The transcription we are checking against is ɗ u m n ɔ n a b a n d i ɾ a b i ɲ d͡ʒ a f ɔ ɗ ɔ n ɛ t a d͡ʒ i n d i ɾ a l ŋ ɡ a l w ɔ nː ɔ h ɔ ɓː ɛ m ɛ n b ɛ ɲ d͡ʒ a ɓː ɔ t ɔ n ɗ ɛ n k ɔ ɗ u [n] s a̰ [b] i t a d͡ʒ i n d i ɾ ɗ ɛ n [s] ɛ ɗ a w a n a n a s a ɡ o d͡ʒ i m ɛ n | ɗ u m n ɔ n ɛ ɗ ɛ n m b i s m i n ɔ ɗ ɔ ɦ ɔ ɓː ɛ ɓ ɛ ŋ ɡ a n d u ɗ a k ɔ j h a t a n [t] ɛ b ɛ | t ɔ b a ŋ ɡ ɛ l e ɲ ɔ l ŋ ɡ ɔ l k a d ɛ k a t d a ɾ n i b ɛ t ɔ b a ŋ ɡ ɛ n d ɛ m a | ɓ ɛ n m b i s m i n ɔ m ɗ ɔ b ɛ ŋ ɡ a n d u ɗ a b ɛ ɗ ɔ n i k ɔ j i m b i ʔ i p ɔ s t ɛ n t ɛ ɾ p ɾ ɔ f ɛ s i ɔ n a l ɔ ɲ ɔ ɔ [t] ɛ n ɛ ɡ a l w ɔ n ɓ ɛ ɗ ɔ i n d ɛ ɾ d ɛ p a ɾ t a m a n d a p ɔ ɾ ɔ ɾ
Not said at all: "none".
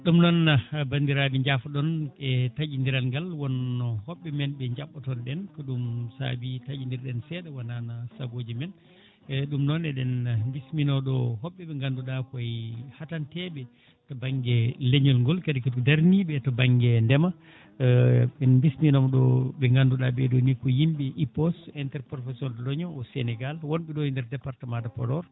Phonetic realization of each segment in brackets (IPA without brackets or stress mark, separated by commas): m, b, s, t, s